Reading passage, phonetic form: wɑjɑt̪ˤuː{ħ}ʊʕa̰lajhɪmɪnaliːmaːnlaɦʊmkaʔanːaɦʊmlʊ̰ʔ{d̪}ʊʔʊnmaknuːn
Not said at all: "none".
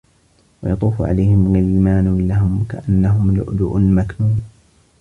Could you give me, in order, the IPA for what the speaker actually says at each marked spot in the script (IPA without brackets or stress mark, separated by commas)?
f, d̪